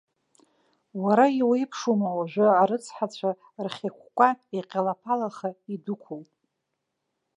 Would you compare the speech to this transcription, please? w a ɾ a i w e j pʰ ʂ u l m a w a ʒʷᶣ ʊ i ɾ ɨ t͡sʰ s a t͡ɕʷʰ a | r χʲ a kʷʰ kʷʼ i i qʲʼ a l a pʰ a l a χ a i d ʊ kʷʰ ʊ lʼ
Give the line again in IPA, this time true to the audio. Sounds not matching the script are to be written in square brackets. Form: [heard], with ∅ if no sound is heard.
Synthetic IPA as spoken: w a ɾ a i w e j pʰ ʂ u [∅] m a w a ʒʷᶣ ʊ [a] ɾ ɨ t͡sʰ [ħ] a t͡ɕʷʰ a | r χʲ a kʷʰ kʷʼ [a] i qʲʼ a l a pʰ a l a χ a i d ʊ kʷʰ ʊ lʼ